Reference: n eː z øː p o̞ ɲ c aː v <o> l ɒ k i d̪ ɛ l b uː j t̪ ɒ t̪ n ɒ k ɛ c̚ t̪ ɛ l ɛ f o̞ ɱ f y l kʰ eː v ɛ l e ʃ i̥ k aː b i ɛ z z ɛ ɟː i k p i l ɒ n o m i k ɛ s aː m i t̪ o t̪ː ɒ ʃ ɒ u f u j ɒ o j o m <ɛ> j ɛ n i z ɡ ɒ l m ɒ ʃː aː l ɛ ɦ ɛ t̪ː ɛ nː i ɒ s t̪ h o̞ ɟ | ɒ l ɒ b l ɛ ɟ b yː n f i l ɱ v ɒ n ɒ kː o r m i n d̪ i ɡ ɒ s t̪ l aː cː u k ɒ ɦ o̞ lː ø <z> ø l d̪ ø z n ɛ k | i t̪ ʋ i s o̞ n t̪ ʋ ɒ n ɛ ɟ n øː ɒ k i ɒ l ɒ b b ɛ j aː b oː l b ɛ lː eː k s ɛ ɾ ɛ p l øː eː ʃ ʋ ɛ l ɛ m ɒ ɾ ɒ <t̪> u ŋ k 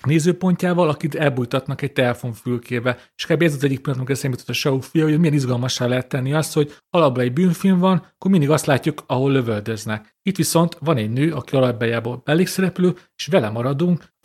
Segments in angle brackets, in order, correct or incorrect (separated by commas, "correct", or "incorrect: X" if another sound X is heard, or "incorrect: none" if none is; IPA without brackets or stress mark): incorrect: ɒ, incorrect: i, incorrect: v, incorrect: d̪